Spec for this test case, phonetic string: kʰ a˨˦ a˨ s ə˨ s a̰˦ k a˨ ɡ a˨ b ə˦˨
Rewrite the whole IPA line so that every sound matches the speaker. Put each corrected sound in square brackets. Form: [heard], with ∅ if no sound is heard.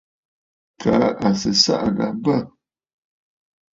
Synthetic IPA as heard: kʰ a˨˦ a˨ s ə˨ s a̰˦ [ʔ] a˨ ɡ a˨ b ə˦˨